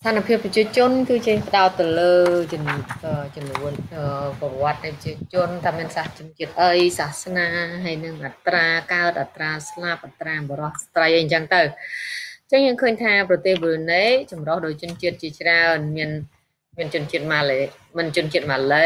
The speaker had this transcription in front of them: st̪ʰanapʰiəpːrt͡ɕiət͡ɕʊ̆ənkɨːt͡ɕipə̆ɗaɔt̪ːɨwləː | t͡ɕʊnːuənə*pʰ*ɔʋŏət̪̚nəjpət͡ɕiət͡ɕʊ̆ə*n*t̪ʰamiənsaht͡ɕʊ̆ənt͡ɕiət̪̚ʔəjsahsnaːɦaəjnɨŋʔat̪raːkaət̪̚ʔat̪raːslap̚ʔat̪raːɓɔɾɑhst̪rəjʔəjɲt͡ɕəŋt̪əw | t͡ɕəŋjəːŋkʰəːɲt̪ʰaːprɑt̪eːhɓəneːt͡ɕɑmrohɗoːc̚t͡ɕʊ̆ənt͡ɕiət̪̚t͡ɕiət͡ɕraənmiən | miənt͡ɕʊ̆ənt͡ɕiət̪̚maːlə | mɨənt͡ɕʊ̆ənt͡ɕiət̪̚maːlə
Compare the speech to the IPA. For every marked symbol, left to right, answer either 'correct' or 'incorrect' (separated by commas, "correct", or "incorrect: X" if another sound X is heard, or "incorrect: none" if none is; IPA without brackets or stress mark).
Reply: incorrect: p, correct